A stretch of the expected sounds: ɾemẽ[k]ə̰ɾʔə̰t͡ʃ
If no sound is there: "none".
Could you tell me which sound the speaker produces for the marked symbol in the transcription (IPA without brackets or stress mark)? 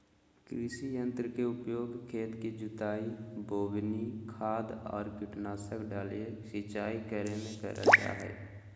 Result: k